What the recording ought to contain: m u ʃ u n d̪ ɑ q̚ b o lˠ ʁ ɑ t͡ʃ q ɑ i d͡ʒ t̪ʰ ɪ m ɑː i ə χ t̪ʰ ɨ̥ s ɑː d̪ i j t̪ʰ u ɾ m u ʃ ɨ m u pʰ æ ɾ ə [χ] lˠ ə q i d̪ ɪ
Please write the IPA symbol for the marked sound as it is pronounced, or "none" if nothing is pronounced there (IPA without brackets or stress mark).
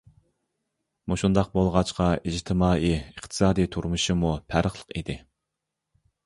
χ